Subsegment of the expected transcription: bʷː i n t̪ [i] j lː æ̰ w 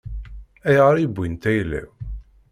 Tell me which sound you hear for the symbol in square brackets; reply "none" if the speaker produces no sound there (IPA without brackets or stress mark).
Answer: æ